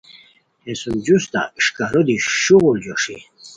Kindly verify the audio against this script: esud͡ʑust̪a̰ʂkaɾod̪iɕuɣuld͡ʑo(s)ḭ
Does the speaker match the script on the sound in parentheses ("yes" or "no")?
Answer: no